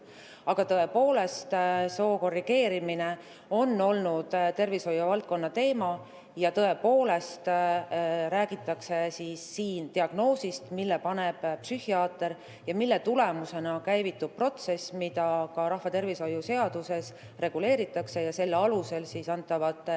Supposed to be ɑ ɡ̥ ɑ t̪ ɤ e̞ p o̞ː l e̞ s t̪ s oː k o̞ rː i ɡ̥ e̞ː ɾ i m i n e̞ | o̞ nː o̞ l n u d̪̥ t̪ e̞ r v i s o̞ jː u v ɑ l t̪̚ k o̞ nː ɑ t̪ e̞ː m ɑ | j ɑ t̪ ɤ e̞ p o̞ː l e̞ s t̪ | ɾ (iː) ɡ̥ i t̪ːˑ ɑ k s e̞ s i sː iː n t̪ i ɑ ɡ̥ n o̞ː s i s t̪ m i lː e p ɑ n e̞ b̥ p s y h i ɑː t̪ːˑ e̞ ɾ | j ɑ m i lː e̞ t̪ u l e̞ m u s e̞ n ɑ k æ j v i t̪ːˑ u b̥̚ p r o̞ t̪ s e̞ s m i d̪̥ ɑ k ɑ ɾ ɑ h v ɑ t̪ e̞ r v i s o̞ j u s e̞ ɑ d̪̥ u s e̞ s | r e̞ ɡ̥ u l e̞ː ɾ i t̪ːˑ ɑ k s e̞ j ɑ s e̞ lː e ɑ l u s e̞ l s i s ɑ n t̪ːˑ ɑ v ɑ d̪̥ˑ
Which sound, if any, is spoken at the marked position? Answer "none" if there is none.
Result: æː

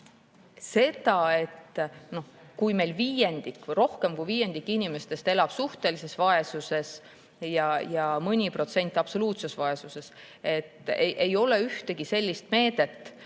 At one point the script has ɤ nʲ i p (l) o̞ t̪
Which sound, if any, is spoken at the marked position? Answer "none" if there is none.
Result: r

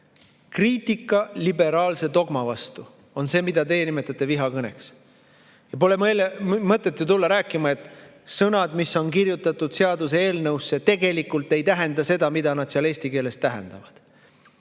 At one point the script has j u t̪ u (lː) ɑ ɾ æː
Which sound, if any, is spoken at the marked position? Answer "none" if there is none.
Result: lː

